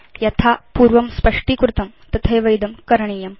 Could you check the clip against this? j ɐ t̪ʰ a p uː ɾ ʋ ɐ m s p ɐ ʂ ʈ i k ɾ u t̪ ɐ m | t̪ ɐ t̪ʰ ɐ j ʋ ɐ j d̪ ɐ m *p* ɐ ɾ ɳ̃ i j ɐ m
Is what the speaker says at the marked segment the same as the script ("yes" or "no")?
no